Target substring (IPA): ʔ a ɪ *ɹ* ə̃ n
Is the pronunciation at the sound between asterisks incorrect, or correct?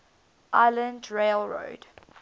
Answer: incorrect